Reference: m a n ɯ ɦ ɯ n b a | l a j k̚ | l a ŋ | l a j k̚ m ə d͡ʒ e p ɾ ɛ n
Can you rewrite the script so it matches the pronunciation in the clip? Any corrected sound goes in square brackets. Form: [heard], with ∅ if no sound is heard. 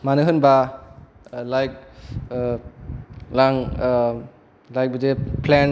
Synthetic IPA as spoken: m a n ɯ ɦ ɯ n b a | l a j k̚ | l a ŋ | l a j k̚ [b] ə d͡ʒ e p [l] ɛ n